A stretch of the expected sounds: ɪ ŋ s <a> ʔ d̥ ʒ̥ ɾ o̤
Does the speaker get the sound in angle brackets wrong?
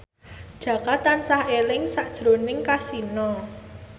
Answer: no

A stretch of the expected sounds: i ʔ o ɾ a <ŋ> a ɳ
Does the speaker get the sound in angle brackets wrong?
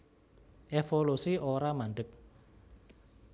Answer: yes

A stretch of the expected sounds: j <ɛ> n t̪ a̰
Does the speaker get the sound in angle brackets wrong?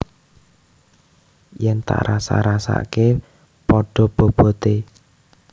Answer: no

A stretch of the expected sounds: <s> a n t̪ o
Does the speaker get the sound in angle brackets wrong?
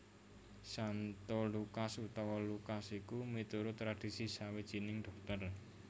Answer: no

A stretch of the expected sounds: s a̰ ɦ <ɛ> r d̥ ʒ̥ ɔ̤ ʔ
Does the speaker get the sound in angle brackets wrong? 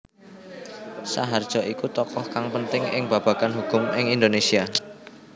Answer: yes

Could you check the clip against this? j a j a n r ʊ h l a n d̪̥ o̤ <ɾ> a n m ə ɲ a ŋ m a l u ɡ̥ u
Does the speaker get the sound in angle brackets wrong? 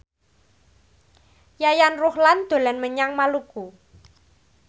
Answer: yes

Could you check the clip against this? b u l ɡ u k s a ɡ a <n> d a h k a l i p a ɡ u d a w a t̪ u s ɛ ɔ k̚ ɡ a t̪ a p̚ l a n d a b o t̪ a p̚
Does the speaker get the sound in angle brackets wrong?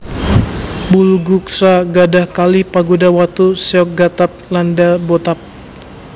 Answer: yes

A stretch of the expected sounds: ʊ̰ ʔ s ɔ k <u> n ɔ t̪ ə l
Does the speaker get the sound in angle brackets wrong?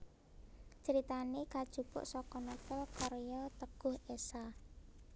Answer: yes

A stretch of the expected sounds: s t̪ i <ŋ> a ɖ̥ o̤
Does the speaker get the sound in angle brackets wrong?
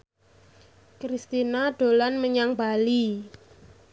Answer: yes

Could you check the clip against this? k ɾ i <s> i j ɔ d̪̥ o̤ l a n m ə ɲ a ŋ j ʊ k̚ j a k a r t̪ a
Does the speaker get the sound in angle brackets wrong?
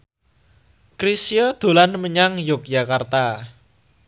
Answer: no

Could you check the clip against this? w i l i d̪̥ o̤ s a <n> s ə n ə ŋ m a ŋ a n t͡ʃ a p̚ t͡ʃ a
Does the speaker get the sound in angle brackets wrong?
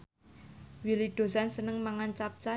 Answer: no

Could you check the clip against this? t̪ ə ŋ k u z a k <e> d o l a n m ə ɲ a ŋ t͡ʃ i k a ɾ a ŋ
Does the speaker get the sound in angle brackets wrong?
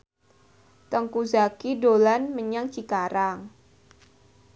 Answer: yes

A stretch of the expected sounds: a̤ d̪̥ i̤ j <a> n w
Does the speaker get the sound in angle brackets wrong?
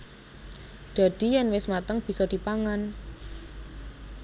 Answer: yes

